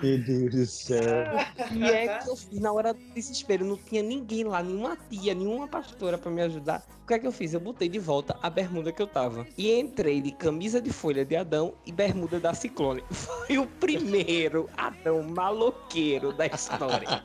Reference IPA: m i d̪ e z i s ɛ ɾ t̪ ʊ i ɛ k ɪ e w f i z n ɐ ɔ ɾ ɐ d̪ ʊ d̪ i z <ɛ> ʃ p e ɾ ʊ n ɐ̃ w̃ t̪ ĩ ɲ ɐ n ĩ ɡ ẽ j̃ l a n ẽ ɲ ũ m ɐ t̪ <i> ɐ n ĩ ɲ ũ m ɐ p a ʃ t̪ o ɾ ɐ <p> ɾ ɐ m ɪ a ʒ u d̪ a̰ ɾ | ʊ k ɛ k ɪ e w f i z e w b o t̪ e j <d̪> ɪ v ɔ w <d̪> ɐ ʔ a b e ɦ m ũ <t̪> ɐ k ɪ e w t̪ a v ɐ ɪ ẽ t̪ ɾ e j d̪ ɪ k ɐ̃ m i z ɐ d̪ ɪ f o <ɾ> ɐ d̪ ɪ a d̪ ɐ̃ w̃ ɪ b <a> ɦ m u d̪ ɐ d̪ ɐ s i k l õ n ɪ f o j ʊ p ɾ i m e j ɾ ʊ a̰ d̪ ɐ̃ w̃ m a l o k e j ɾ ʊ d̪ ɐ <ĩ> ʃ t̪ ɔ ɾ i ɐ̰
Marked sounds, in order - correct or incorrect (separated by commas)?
incorrect, correct, correct, correct, incorrect, incorrect, incorrect, incorrect, incorrect